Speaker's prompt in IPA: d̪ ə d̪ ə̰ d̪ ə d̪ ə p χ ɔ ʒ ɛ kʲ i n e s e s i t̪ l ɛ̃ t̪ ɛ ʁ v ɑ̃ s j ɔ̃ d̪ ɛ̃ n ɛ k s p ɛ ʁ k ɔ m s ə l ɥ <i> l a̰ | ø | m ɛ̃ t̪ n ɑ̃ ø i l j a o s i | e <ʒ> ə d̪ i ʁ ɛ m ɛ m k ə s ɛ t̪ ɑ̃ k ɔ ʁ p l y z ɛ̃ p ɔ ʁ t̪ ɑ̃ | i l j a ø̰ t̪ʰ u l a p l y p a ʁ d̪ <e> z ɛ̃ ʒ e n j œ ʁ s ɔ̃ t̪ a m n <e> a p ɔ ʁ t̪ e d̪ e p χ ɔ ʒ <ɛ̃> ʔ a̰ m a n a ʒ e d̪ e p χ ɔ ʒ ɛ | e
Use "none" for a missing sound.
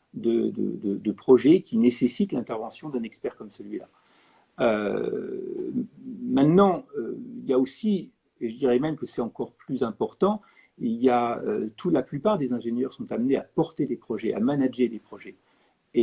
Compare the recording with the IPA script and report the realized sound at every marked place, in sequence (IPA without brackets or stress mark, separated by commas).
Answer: i, ʒ, e, e, ɛ